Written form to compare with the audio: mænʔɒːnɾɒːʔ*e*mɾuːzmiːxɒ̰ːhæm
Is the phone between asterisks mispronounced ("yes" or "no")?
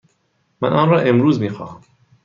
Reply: no